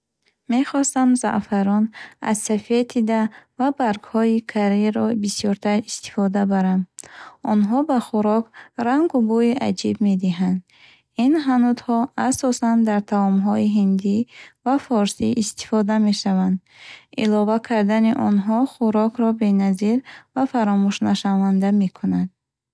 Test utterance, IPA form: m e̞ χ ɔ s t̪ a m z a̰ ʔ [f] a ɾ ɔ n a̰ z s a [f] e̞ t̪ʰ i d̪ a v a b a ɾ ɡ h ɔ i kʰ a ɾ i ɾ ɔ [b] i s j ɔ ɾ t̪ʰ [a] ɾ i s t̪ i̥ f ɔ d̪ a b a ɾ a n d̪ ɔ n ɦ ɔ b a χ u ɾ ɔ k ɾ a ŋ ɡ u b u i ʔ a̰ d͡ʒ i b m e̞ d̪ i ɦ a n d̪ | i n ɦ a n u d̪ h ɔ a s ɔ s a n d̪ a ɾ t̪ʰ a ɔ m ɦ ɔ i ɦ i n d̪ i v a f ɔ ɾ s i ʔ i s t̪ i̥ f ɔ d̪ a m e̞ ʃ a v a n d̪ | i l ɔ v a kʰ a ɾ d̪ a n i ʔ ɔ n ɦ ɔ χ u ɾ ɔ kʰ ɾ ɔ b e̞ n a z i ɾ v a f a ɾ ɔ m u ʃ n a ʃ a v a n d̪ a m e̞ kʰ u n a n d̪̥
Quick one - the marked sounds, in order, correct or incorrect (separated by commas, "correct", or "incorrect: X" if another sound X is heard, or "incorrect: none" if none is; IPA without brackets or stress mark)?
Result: correct, correct, correct, correct